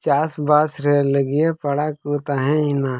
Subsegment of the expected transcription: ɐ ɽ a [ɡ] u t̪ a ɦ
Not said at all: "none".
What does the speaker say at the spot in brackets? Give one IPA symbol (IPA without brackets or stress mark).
k